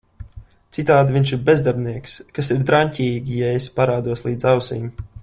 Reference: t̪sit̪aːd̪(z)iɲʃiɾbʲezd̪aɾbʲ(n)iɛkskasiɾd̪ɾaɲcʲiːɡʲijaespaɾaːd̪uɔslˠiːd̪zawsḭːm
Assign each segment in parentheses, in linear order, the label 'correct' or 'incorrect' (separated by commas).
incorrect, correct